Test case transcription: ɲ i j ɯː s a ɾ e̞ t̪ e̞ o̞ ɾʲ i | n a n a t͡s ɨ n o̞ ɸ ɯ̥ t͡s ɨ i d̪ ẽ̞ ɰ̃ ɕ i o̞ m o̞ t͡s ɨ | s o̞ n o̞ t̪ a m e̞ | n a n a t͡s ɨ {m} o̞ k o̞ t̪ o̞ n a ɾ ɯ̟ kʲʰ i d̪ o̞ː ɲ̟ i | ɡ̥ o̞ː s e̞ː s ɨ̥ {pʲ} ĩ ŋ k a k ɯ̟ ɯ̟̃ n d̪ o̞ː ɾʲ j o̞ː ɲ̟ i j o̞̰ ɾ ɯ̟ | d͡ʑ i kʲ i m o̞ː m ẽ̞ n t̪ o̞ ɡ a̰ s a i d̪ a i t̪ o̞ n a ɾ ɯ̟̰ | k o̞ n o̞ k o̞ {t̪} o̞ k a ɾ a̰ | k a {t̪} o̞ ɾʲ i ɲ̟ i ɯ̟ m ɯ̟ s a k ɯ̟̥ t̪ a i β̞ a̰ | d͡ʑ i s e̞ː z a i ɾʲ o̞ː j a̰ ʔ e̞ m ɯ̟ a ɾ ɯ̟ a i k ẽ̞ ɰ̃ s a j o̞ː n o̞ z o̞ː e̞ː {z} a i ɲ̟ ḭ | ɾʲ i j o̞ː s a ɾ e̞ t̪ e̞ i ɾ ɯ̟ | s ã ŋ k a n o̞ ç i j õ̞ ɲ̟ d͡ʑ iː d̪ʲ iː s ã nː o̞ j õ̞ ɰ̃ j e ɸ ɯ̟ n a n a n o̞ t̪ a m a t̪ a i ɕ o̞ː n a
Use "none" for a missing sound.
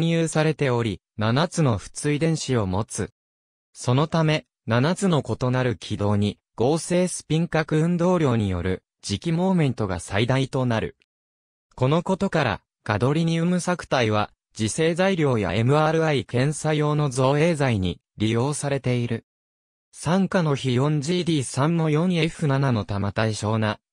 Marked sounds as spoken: n, pʲ, t̪, d̪, z

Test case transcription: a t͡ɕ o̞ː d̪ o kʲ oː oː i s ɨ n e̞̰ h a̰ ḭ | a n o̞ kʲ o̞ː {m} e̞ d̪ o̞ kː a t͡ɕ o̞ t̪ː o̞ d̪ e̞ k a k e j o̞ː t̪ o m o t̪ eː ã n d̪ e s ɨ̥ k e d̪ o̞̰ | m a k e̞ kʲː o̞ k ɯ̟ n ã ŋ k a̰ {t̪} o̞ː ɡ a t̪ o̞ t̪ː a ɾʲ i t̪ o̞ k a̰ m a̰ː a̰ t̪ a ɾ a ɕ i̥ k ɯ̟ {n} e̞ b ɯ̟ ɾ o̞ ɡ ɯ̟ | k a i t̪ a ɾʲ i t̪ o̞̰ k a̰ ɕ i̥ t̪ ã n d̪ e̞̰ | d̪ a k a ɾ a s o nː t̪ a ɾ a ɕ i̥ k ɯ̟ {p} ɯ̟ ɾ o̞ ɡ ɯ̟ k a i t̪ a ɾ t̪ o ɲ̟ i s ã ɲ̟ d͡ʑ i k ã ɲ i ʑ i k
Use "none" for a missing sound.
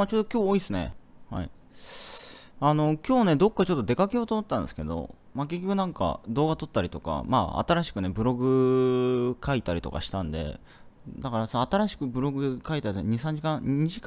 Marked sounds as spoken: n, d̪, n, b

